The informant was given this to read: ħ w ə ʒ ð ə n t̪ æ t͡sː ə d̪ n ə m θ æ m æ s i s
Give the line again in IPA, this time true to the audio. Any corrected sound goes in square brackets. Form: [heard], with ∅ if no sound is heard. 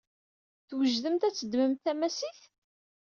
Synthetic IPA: [θ] w ə ʒ ð ə [m] t̪ æ t͡sː ə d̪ [m] ə m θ æ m æ s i [θ]